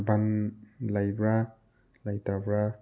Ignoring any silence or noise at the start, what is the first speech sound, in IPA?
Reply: b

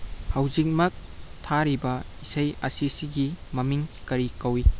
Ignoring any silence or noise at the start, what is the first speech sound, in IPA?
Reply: h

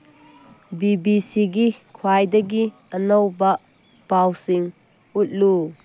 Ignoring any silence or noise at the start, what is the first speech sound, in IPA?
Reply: b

